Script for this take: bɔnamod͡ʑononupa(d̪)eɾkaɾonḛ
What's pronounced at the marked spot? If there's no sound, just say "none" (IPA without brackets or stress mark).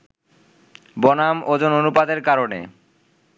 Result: d̪